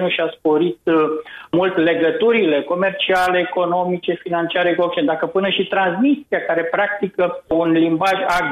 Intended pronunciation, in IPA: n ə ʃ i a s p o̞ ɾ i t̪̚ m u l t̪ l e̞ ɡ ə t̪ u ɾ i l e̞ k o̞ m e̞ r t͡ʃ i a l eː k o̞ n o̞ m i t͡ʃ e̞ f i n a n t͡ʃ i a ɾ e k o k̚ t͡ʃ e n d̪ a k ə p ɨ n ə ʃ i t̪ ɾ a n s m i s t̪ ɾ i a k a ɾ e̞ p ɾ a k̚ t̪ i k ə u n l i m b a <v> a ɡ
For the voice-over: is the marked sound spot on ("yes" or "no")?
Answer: no